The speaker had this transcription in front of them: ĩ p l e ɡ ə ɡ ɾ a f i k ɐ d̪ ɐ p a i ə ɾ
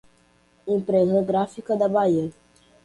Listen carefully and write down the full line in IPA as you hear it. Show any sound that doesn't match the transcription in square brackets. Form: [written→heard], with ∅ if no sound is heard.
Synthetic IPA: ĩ p [l→ɾ] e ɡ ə ɡ ɾ a f i k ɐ d̪ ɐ [p→b] a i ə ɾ